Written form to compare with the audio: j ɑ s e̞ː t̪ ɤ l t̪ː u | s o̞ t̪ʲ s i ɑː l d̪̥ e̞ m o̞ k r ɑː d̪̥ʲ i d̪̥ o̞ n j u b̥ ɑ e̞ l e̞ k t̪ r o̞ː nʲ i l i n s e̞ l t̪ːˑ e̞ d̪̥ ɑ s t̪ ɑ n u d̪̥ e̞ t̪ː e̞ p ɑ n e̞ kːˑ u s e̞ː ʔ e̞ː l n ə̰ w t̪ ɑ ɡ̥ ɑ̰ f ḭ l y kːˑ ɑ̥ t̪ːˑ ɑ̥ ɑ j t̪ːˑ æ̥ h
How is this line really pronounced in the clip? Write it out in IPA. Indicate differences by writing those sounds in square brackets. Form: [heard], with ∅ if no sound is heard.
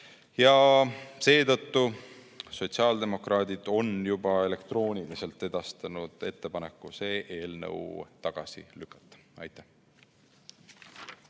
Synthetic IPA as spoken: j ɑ s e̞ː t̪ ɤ [∅] t̪ː u | s o̞ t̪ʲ s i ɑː l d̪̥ e̞ m o̞ k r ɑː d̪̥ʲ i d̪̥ o̞ n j u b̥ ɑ e̞ l e̞ k t̪ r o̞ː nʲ i l i [∅] s e̞ l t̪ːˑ e̞ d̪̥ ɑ s t̪ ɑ n u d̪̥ e̞ t̪ː e̞ p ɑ n e̞ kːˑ u s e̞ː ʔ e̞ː l n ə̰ w t̪ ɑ ɡ̥ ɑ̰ [s] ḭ l y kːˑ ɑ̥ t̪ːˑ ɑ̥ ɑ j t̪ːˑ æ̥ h